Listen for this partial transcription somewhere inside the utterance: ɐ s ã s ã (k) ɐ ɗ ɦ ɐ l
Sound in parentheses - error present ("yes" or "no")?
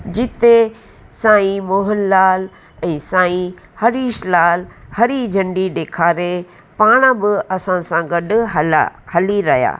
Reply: yes